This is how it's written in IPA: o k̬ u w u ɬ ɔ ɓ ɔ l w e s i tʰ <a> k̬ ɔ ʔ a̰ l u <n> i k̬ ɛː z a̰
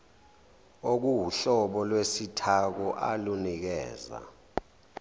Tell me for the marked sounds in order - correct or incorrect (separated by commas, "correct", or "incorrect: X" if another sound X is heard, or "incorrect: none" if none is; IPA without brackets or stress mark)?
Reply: correct, correct